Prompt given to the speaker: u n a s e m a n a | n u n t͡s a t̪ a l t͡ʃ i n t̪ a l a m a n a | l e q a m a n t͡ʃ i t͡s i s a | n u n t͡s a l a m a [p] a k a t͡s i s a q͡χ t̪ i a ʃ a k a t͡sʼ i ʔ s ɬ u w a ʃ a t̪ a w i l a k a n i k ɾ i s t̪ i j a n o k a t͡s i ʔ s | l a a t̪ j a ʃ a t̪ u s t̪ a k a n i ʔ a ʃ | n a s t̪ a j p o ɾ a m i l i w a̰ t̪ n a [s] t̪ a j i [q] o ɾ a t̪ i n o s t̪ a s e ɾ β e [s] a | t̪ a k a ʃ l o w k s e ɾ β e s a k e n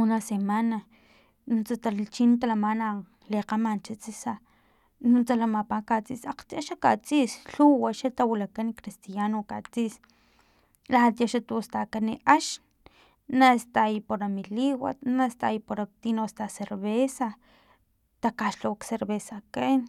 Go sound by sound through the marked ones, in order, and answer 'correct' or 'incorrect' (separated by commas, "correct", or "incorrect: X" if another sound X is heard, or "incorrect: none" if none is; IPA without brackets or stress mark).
correct, correct, incorrect: p, correct